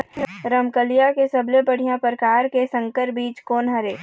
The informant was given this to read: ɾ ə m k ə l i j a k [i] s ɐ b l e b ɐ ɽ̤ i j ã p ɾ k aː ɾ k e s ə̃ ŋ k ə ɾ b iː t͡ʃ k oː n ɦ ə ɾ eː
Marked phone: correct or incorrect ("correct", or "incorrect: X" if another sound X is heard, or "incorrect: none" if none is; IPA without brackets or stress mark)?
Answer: incorrect: e